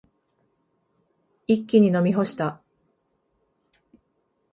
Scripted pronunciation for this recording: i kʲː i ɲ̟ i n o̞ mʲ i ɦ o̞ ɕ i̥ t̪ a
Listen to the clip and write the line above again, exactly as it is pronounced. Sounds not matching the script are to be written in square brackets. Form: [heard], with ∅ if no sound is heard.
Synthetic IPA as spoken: i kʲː i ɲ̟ i n o̞ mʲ i ɦ o̞ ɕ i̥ t̪ a